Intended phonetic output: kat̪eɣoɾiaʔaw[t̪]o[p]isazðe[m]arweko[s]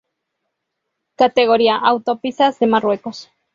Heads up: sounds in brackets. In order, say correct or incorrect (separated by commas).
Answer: correct, correct, correct, correct